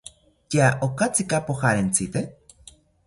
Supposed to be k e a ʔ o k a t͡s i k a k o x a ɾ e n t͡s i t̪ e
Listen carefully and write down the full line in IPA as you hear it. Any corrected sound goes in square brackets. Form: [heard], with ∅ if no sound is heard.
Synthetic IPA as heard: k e a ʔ o k a t͡s i k a [p] o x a ɾ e n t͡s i t̪ e